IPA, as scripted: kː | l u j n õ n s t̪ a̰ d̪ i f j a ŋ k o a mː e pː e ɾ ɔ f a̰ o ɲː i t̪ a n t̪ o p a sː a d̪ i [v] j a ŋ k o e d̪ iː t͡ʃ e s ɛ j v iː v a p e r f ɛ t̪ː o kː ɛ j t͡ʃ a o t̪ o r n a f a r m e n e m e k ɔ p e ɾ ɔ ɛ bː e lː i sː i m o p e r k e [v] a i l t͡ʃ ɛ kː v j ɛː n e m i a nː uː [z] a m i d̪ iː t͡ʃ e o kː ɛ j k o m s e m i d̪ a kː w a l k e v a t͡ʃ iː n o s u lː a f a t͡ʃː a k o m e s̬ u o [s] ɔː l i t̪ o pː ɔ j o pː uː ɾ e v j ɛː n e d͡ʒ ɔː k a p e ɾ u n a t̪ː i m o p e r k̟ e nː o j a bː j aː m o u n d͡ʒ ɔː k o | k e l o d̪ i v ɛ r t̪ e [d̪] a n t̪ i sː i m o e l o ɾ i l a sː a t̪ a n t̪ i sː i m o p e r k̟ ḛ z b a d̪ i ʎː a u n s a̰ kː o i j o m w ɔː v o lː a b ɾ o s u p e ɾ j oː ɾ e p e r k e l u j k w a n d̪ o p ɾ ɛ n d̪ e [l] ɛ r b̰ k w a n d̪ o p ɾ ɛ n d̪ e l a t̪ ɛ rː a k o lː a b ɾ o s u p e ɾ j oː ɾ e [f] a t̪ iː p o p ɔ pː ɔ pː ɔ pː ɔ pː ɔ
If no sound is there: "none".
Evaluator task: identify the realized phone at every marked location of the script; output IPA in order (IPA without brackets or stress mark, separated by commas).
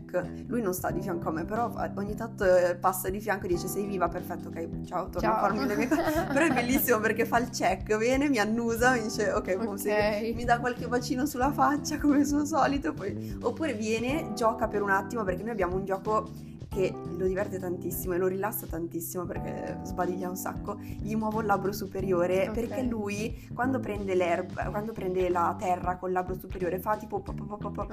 f, f, z, s, t̪, l, f